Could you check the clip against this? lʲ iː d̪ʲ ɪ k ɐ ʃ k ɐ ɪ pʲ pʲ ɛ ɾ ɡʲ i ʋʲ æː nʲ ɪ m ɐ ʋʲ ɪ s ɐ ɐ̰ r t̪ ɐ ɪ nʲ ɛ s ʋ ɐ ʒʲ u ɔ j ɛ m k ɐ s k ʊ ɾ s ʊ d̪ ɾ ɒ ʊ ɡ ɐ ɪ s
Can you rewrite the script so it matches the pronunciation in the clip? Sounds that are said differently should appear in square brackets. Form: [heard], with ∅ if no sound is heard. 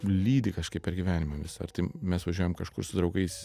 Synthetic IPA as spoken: lʲ iː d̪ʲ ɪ k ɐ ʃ k ɐ ɪ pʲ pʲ ɛ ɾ ɡʲ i ʋʲ æː nʲ ɪ m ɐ ʋʲ ɪ s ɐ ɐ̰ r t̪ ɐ ɪ [mʲ] ɛ s ʋ ɐ ʒʲ u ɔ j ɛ m k ɐ [ʃ] k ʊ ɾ s ʊ d̪ ɾ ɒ ʊ ɡ ɐ ɪ s